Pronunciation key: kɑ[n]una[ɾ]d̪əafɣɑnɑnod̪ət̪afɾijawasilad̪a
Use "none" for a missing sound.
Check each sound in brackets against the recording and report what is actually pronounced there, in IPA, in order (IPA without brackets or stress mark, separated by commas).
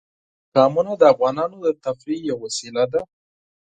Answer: m, none